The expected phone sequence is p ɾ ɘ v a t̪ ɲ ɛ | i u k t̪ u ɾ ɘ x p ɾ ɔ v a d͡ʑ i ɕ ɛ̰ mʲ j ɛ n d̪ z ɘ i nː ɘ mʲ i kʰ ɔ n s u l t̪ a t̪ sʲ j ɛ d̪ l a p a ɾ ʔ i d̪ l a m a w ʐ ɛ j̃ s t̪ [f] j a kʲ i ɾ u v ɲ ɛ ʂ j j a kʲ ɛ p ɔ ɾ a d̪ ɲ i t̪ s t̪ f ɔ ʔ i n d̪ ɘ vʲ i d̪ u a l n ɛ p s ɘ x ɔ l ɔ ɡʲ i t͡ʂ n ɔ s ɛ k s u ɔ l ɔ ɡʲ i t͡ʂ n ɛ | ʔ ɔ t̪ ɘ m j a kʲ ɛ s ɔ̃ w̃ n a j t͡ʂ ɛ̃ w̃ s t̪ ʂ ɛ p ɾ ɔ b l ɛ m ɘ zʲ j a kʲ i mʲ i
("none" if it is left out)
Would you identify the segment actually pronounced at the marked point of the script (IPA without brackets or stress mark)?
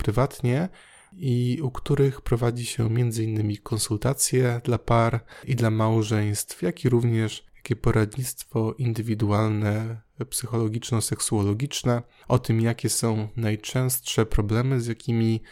f